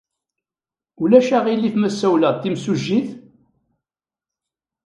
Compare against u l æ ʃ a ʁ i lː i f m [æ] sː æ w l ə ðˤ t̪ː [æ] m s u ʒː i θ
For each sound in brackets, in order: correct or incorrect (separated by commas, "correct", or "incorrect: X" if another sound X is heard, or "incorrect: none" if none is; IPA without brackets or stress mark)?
correct, incorrect: i